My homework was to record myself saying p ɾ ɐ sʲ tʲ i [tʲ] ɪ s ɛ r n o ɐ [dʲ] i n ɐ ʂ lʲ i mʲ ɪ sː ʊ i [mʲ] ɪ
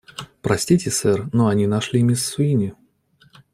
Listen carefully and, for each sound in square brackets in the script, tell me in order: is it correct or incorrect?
correct, incorrect: nʲ, incorrect: nʲ

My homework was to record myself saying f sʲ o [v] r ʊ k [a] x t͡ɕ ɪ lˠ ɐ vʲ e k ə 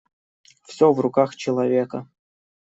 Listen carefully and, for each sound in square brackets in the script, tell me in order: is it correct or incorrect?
correct, correct

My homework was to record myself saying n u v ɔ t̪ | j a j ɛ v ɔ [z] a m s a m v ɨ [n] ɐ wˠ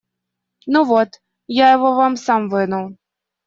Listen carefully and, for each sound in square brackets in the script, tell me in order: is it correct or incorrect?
incorrect: v, correct

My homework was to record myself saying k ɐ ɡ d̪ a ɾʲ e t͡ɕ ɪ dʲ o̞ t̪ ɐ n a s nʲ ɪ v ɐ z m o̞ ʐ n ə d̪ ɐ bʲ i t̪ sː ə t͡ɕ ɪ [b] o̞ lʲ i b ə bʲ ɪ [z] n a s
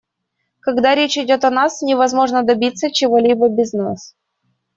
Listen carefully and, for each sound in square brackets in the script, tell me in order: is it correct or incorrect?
incorrect: v, correct

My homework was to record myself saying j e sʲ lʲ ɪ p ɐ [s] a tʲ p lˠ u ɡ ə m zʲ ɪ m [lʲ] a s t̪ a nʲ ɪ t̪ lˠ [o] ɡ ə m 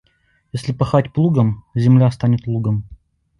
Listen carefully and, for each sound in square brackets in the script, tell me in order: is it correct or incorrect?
incorrect: x, correct, incorrect: u

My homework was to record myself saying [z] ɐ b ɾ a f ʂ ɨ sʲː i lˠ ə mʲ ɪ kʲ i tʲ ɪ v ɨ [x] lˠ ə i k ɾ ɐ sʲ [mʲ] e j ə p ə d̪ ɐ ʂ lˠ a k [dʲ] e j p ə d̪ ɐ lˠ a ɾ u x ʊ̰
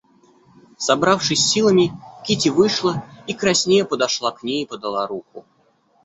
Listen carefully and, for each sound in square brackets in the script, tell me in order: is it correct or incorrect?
incorrect: s, incorrect: ʂ, incorrect: nʲ, incorrect: nʲ

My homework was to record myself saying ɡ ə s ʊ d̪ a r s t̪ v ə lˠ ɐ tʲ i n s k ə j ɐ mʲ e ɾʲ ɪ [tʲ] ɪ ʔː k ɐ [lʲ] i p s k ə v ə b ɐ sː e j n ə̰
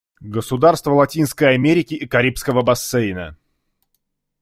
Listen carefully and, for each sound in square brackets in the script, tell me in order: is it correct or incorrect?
incorrect: kʲ, incorrect: ɾʲ

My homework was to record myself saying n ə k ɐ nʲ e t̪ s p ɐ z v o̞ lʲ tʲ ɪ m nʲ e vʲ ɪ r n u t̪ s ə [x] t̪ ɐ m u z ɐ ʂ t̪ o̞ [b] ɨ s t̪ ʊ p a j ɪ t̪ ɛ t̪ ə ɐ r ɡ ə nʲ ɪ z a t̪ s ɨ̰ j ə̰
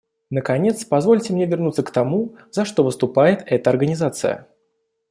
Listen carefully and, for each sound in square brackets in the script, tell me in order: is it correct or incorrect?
incorrect: k, incorrect: v

